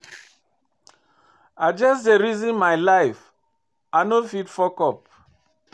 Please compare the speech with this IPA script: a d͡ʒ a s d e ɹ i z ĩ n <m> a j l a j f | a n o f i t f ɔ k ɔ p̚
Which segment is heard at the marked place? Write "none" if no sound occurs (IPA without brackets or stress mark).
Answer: m